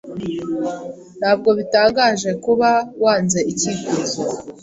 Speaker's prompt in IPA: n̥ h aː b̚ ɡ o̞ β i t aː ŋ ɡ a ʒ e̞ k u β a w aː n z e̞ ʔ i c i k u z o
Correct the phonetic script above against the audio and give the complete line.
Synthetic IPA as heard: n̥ h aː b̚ ɡ o̞ β i t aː ŋ ɡ a ʒ e̞ k u β a w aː n z e̞ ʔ i c i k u z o